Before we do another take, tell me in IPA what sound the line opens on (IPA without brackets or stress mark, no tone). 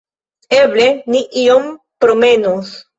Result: e̞